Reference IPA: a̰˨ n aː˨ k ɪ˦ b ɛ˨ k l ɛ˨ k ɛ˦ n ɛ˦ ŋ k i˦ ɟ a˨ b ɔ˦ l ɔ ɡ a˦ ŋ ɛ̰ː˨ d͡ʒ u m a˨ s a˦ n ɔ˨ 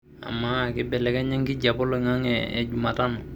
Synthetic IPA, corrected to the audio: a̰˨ m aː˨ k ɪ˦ b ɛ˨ l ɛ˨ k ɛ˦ ɲ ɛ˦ ŋ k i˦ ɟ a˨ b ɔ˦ l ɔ ŋ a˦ ŋ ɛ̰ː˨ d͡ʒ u m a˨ t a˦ n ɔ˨